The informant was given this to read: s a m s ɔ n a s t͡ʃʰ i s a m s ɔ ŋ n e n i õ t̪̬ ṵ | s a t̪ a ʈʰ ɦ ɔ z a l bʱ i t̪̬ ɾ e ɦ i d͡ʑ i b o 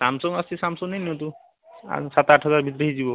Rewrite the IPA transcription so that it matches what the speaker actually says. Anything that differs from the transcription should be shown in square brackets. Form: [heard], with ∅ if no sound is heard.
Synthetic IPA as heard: s a m s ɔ [ŋ] a s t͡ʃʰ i s a m s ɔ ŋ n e n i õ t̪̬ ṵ | s a t̪ a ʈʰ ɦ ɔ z a [ɾ] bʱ i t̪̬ ɾ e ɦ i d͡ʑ i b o